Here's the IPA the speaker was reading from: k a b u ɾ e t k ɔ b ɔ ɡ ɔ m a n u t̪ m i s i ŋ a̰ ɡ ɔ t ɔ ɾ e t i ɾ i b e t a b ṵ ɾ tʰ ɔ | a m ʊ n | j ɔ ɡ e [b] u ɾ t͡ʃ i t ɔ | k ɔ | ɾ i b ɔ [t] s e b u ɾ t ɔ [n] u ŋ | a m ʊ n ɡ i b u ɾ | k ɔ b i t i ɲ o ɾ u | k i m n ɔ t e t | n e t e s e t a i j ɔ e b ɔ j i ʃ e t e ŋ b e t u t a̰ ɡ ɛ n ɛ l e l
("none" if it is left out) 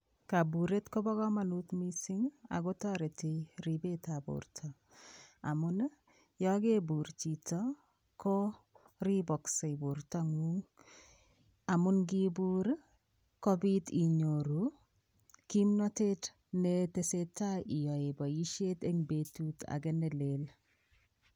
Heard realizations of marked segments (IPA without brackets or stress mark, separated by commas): b, k, ŋ